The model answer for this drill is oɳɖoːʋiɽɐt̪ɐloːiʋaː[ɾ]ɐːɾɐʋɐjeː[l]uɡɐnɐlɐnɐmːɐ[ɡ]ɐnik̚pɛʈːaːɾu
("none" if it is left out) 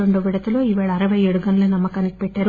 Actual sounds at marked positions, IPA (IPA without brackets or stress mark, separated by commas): ɭ, ɽ, k